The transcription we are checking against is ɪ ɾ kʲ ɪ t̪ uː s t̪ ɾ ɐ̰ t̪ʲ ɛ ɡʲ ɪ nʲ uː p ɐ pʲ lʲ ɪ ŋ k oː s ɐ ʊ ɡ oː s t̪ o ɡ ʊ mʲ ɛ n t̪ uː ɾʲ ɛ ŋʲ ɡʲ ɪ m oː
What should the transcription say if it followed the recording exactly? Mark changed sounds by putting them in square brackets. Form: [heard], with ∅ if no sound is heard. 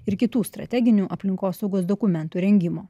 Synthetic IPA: ɪ ɾ kʲ ɪ t̪ uː s t̪ ɾ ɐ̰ t̪ʲ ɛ ɡʲ ɪ nʲ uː [ʔ] ɐ pʲ lʲ ɪ ŋ k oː s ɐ ʊ ɡ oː s [d̪] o [k] ʊ mʲ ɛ n t̪ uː ɾʲ ɛ ŋʲ ɡʲ ɪ m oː